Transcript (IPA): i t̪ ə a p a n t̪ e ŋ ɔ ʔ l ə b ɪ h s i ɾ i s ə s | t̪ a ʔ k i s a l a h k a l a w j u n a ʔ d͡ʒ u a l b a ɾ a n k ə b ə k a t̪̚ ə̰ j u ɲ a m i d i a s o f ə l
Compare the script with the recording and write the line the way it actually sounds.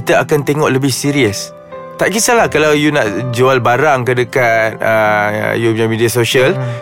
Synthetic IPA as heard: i t̪ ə a k a n t̪ e ŋ ɔ ʔ l ə b ɪ h s i ɾ i ə s | t̪ a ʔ k i s a l a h k a l a w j u n a ʔ d͡ʒ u a l b a ɾ a ŋ k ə d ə k a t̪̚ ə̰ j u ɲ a m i d i a s o ʃ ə l